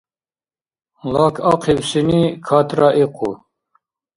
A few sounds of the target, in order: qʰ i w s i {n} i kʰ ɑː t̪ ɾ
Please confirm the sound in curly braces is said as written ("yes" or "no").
yes